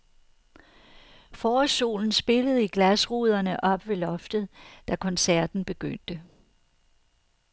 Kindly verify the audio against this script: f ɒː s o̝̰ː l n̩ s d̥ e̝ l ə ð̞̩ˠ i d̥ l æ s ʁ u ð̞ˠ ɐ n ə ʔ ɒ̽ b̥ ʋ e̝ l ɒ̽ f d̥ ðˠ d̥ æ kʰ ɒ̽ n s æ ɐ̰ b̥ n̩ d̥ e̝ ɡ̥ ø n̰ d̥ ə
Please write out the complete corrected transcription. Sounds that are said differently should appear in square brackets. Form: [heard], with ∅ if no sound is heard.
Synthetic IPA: f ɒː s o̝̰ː l n̩ s [b̥] e̝ l ə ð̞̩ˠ i [ɡ̥] l æ s ʁ u ð̞ˠ ɐ n ə ʔ ɒ̽ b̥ ʋ e̝ l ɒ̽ f d̥ ðˠ d̥ æ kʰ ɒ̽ n s æ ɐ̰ [d̥] n̩ [b̥] e̝ ɡ̥ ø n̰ d̥ ə